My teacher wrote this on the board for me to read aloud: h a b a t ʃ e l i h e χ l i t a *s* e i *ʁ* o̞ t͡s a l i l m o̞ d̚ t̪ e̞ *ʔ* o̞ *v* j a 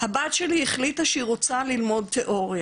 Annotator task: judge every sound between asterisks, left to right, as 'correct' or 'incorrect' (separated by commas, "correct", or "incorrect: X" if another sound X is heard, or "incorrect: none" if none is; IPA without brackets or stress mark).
incorrect: ʃ, correct, correct, incorrect: ʁ